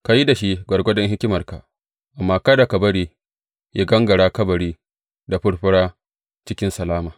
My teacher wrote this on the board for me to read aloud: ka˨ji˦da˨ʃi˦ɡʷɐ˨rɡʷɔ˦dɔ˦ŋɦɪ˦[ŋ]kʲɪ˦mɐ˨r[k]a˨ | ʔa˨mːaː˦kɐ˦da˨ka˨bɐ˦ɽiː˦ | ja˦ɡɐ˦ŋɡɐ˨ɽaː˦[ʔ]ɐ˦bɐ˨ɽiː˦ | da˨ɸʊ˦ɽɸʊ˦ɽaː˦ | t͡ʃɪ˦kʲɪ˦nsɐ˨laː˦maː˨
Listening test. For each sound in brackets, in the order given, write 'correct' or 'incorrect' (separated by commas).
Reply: incorrect, correct, incorrect